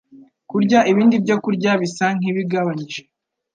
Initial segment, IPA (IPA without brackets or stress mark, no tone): k